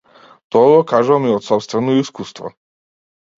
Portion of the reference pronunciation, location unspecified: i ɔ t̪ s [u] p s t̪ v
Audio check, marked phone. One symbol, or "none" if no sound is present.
ɔ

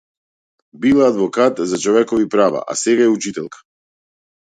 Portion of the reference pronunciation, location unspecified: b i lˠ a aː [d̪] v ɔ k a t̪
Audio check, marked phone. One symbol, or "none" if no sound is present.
d̪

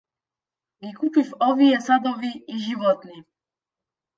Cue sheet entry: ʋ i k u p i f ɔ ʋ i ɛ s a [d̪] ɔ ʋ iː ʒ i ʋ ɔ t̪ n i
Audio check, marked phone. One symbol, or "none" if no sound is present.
d̪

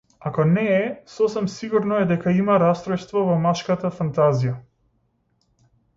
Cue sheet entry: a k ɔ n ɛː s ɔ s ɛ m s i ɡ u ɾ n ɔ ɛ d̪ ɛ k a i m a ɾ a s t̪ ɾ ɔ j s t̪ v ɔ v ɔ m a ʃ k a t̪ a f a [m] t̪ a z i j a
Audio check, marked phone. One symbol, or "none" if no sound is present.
n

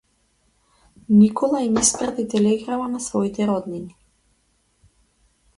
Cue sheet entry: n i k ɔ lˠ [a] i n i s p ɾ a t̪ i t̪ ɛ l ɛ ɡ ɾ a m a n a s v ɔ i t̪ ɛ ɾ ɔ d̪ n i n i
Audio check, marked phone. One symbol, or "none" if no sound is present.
a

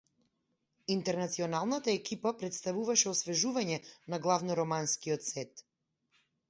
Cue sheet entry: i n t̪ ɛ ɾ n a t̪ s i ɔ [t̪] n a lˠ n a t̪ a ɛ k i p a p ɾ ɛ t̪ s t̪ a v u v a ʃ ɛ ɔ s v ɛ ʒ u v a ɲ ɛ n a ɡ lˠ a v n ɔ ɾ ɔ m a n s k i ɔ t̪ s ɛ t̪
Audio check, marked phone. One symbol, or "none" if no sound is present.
none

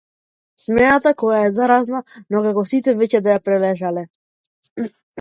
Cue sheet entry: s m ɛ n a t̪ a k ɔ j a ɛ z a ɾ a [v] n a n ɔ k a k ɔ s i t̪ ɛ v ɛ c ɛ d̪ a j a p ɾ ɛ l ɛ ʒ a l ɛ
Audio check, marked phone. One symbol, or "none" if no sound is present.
z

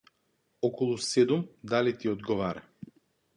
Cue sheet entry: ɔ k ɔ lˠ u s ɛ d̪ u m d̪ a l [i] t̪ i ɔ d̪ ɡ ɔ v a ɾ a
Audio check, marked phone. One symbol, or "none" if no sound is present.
i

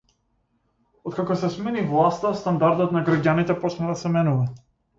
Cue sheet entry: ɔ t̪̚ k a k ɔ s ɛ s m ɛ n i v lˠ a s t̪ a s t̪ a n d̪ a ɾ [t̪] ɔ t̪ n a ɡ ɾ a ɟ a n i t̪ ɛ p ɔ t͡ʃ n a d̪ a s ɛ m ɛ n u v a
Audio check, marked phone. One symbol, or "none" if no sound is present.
d̪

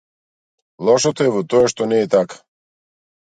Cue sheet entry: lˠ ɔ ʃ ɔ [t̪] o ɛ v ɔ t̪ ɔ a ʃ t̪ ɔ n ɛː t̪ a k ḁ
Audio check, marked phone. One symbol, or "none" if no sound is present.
t̪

